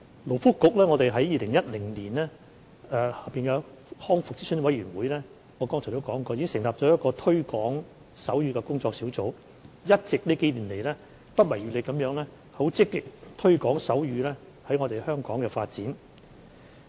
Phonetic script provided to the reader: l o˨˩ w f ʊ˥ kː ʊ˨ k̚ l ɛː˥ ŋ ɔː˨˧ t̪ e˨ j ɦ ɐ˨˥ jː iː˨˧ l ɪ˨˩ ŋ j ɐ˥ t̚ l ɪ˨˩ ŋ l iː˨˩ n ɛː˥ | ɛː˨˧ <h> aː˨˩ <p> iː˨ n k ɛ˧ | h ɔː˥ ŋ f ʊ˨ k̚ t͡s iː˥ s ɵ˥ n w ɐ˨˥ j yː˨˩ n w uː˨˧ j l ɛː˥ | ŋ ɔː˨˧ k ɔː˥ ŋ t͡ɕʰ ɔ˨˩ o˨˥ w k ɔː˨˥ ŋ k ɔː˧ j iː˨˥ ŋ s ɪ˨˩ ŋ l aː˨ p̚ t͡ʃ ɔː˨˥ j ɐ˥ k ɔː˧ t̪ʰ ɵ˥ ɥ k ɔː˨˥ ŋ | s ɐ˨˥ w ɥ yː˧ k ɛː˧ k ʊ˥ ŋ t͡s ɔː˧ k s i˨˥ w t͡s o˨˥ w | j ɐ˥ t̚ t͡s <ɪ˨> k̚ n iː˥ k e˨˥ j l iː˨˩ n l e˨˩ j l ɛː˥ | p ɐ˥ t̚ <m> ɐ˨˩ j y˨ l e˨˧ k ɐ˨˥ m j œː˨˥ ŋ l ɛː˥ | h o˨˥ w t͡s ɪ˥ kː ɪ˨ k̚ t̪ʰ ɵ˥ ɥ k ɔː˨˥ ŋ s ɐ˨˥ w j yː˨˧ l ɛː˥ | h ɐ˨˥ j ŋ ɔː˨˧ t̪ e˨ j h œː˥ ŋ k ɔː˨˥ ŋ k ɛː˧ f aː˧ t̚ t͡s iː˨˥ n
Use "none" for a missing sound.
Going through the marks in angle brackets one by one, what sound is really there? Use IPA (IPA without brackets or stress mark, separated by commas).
h, p, ɪ˨, m